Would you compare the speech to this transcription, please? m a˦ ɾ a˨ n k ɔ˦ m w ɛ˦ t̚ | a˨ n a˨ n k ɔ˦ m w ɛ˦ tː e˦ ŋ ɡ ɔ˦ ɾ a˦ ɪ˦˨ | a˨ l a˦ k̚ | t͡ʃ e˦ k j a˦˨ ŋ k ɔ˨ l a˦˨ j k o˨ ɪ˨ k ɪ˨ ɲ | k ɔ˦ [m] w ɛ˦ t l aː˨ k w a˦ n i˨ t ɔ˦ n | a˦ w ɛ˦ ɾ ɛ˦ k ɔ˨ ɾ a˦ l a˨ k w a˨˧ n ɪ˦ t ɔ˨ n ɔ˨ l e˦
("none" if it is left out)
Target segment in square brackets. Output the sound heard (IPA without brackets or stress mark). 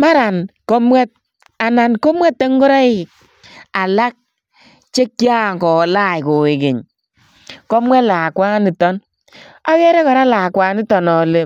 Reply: m